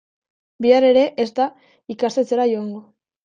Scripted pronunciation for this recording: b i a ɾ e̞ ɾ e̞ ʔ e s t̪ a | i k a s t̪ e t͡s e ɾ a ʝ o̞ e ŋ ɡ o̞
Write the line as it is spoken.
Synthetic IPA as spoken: b i a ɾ e̞ ɾ e̞ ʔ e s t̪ a | i k a s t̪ e t͡s e ɾ a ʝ o̞ a ŋ ɡ o̞